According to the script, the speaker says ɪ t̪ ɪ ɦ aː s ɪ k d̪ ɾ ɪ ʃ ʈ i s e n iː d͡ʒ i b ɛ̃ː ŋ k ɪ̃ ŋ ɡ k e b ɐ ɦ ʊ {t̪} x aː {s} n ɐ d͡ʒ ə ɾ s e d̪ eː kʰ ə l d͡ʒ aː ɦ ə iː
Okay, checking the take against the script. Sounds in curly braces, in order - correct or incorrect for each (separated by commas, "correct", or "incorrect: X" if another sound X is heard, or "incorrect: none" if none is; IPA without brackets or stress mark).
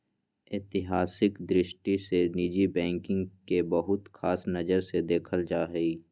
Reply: correct, correct